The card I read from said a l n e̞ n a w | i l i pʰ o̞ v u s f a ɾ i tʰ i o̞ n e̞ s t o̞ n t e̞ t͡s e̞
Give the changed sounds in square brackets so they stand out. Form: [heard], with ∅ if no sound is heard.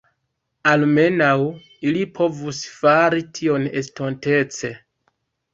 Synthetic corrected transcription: a l [m] e̞ n a w | i l i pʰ o̞ v u s f a ɾ i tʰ i o̞ n e̞ s t o̞ n t e̞ t͡s e̞

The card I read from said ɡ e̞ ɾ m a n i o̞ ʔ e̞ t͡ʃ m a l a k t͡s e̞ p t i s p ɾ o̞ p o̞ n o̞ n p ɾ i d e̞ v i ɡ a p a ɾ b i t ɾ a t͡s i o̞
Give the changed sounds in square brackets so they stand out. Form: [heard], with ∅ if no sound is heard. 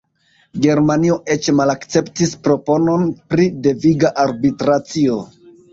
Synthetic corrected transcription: ɡ e̞ ɾ m a n i o̞ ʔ e̞ t͡ʃ m a l a k t͡s e̞ p t i s p ɾ o̞ p o̞ n o̞ n p ɾ i d e̞ v i ɡ a [ʔ] a ɾ b i t ɾ a t͡s i o̞

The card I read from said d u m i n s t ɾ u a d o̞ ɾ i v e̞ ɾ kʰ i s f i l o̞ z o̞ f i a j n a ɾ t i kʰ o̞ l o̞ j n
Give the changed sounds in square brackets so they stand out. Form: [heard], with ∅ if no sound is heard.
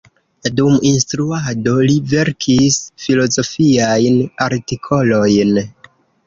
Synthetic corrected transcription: d u m i n s t ɾ u a d o̞ [l] i v e̞ ɾ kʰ i s f i l o̞ z o̞ f i a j n a ɾ t i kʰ o̞ l o̞ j n

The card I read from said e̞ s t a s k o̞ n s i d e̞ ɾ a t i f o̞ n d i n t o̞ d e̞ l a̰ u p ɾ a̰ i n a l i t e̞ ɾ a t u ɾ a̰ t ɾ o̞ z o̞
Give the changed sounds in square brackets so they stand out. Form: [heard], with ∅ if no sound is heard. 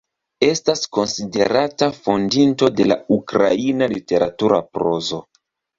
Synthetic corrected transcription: e̞ s t a s k o̞ n s i d e̞ ɾ a t [a] f o̞ n d i n t o̞ d e̞ l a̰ u [k] ɾ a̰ i n a l i t e̞ ɾ a t u ɾ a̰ [p] ɾ o̞ z o̞

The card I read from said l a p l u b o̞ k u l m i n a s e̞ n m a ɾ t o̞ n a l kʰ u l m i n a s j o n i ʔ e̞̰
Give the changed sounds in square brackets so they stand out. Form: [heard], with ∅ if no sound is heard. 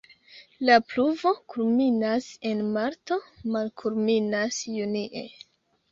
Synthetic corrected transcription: l a p l u [v] o̞ k u l m i n a s e̞ n m a ɾ t o̞ [m] a l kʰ u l m i n a s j [u] n i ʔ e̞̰

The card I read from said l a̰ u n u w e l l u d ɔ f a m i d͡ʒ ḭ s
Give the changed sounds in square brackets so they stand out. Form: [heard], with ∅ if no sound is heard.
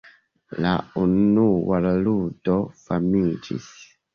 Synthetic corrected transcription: l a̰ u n u w [a] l l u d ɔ f a m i d͡ʒ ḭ s

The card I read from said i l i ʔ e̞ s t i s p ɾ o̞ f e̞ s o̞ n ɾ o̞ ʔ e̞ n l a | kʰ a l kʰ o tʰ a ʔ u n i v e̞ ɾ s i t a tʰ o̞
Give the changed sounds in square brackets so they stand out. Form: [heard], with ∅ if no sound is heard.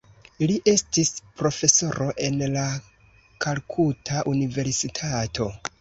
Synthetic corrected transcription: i l i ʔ e̞ s t i s p ɾ o̞ f e̞ s o̞ [∅] ɾ o̞ ʔ e̞ n l a | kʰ a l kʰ [u] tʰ a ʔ u n i v e̞ ɾ s i [tʰ] a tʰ o̞

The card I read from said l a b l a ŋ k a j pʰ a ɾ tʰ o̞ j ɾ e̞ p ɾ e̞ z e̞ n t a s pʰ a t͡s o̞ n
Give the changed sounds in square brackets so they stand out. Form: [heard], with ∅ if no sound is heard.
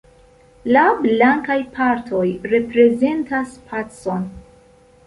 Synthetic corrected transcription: l a b l a ŋ k a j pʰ a ɾ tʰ o̞ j ɾ e̞ p ɾ e̞ z e̞ n t a s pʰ a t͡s o̞ n

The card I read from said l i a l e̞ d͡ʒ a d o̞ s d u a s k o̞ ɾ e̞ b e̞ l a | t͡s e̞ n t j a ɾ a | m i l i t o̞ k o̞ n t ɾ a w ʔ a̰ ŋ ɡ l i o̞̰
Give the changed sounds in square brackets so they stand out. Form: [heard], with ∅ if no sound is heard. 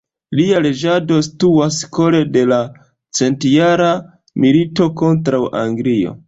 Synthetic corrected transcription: l i a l e̞ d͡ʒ a d o̞ s [t] u a s k o̞ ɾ e̞ [d] e̞ l a | t͡s e̞ n t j a ɾ a | m i l i t o̞ k o̞ n t ɾ a w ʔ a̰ ŋ ɡ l i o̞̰

